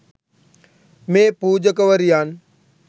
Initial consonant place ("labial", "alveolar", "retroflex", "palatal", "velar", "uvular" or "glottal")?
labial